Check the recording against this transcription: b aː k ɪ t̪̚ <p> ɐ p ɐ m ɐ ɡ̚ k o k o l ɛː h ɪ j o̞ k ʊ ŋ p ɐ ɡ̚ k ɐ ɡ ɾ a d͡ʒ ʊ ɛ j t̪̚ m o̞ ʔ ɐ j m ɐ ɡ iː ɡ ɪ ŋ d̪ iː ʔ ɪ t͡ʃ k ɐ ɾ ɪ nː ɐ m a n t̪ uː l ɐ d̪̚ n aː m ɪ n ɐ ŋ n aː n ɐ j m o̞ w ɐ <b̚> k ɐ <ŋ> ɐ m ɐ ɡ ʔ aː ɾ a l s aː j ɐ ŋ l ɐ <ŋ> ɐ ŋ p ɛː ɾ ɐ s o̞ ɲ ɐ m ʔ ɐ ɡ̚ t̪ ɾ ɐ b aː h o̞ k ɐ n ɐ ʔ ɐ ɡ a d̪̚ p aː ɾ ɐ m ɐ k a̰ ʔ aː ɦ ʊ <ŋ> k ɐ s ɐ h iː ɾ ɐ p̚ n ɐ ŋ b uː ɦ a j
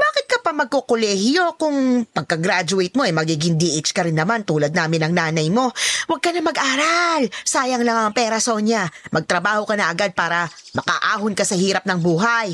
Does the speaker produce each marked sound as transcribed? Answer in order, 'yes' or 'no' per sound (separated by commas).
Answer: no, no, no, yes, no